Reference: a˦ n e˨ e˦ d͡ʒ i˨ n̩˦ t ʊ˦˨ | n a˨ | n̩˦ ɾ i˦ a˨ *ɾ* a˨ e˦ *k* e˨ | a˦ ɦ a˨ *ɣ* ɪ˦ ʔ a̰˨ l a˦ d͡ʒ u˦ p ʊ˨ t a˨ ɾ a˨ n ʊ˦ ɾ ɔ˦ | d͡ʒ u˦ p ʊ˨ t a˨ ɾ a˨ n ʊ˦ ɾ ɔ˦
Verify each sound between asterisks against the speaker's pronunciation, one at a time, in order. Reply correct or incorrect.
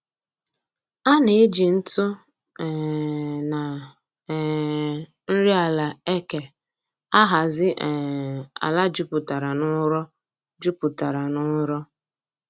incorrect, correct, incorrect

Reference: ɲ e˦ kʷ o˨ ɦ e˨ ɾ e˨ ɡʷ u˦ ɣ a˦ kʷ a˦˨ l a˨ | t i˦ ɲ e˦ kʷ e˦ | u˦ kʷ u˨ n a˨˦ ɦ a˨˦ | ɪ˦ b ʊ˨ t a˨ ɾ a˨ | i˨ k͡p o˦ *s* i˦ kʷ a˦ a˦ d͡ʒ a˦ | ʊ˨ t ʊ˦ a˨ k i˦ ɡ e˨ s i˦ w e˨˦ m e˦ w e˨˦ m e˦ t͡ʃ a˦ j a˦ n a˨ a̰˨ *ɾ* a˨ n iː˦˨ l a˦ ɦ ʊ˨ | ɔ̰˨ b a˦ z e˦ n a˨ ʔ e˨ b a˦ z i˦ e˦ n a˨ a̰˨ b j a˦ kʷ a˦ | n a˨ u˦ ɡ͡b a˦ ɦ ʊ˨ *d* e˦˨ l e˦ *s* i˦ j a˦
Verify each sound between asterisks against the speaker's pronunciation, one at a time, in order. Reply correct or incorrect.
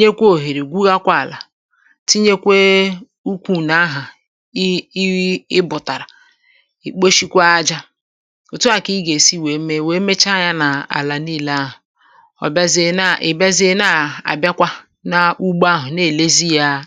incorrect, incorrect, incorrect, incorrect

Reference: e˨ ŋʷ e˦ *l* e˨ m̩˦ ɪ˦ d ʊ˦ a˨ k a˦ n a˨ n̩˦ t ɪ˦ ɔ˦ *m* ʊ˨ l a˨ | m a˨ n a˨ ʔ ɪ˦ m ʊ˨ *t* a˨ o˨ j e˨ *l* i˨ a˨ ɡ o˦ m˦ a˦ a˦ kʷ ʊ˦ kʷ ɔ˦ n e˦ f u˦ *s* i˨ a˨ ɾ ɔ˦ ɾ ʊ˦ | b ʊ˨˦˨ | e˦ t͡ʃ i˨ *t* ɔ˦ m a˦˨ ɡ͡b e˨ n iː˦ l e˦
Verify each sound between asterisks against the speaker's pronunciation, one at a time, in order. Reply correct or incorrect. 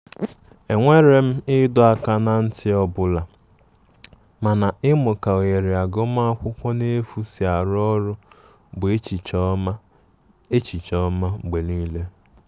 incorrect, incorrect, incorrect, incorrect, correct, incorrect

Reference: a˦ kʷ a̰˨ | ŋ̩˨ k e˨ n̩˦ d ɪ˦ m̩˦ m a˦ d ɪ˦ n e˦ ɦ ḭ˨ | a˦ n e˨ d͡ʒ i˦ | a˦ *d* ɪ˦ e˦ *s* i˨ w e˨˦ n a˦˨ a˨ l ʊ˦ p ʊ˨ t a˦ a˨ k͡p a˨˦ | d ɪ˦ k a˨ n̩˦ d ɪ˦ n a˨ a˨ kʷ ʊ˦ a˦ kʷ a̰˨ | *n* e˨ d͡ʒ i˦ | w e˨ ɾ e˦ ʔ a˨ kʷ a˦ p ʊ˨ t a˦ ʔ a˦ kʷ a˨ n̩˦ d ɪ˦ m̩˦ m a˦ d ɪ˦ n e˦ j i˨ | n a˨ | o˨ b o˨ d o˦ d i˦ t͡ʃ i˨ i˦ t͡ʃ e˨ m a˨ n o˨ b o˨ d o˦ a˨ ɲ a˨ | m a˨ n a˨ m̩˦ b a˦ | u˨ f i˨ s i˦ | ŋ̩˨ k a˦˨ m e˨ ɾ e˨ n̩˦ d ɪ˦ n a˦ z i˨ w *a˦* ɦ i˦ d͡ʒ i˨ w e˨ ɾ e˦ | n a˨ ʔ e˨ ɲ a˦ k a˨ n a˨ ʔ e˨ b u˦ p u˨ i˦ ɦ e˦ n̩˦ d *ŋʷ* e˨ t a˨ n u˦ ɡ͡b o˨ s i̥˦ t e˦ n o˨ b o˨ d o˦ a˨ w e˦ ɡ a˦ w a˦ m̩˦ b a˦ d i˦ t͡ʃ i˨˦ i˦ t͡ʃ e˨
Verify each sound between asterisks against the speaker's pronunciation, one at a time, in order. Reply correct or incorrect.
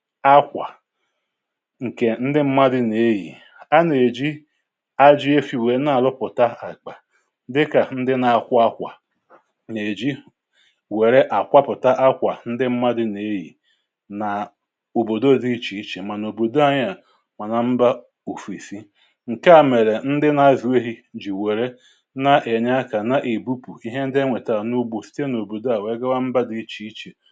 incorrect, incorrect, correct, incorrect, correct

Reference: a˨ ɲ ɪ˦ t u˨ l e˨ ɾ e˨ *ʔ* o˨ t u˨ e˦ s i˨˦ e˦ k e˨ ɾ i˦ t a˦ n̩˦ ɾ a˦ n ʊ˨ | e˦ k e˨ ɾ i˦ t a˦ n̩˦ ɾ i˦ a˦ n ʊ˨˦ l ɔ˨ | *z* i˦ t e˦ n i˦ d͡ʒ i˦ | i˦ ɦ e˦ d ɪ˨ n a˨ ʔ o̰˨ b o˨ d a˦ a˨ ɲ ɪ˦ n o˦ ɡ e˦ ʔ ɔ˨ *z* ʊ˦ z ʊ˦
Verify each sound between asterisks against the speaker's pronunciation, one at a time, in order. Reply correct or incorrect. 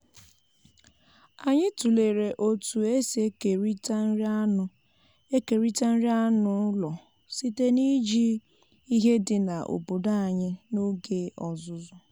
correct, incorrect, correct

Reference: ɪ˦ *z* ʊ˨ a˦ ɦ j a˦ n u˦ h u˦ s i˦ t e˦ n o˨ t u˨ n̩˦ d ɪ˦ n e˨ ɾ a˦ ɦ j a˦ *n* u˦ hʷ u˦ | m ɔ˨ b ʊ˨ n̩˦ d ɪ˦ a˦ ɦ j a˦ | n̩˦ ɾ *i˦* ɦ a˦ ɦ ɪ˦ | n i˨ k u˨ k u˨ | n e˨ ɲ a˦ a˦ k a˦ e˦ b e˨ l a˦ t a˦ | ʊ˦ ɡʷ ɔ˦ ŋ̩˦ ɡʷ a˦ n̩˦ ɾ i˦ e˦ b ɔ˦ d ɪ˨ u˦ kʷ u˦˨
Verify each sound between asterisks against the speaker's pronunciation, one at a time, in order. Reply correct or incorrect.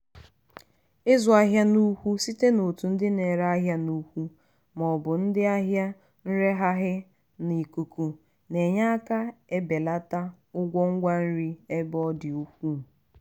correct, correct, incorrect

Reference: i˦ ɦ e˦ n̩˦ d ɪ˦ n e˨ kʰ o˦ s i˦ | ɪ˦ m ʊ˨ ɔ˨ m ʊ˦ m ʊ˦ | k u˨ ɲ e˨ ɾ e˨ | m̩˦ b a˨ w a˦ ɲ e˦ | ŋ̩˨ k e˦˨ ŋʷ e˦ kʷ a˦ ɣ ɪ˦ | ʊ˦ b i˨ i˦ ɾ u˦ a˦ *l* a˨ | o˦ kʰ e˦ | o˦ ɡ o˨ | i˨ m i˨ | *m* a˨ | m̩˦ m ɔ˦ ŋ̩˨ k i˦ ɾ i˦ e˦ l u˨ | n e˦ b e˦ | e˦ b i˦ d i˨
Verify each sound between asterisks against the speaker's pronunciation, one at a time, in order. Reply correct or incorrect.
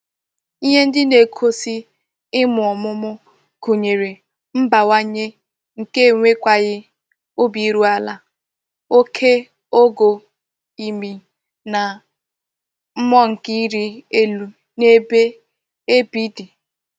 correct, incorrect

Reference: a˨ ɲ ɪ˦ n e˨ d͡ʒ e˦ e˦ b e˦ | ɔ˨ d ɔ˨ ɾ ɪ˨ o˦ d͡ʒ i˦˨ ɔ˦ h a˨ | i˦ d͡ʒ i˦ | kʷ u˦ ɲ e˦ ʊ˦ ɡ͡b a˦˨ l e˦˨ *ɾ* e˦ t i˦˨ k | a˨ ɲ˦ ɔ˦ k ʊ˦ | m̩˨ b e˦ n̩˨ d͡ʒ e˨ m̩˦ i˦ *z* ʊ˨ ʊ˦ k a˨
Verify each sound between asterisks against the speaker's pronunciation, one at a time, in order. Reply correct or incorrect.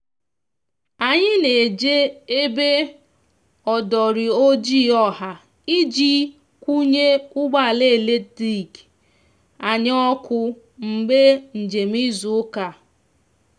incorrect, correct

